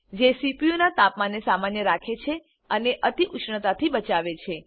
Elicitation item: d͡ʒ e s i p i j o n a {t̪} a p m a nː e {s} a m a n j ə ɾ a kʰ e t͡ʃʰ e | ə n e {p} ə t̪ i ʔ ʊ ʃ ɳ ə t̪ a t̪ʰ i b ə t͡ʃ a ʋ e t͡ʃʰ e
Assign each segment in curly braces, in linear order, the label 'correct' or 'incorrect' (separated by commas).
correct, correct, incorrect